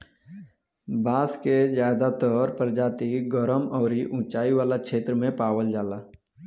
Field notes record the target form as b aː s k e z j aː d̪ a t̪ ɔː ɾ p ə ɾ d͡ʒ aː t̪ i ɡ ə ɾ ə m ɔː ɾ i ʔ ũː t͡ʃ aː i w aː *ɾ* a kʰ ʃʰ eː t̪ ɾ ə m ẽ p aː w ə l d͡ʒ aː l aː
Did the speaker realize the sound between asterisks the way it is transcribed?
no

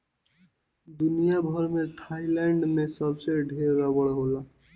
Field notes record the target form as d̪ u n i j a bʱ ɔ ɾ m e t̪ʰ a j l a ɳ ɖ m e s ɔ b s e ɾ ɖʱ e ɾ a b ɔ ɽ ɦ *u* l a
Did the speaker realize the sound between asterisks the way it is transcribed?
no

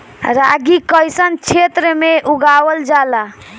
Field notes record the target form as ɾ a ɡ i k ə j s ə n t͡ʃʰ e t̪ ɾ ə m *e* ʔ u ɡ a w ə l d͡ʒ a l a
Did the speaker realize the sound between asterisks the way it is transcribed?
yes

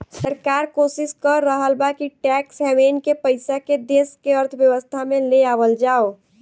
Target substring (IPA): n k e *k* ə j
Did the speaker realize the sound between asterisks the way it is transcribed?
no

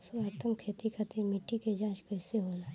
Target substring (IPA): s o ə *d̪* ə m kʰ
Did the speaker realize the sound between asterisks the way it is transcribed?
no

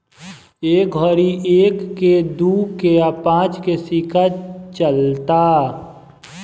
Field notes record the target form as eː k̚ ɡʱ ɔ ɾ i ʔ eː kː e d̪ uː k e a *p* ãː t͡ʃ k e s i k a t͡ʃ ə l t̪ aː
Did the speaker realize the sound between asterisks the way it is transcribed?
yes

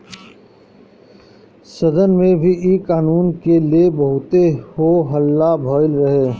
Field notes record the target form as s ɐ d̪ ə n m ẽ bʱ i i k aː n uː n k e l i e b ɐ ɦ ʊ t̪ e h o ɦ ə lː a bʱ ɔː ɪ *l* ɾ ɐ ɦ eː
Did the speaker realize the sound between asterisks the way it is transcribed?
yes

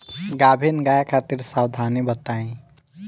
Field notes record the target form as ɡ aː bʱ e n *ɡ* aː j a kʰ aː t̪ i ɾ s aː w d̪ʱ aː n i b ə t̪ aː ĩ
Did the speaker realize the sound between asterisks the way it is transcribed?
yes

